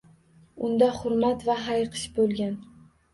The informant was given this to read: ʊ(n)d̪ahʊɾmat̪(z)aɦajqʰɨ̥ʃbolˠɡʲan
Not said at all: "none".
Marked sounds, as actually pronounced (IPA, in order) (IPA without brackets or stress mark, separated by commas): n, v